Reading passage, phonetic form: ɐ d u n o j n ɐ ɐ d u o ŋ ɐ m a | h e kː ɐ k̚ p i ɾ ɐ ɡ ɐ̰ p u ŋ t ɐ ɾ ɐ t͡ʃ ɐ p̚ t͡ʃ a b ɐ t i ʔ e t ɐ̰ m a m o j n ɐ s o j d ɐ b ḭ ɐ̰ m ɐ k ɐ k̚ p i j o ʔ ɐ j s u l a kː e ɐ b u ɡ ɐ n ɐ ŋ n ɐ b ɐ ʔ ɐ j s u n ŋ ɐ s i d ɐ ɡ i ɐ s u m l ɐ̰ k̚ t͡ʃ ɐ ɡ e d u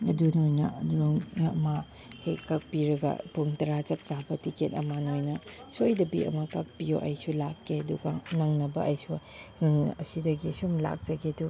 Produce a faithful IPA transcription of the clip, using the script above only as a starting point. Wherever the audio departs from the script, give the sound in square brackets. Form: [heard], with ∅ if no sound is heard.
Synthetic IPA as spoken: ɐ d u n o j n ɐ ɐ d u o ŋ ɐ m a | h e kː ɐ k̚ p i ɾ ɐ ɡ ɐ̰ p u ŋ t ɐ ɾ [a] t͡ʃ ɐ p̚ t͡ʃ a b ɐ t i [k] e t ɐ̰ m a [n] o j n ɐ s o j d ɐ b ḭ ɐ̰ m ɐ k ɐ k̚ p i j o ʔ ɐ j s u l a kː e ɐ [d] u ɡ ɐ n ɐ ŋ n ɐ b ɐ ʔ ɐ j s u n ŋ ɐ s i d ɐ ɡ i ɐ s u m l [a̰] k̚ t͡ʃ ɐ ɡ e d u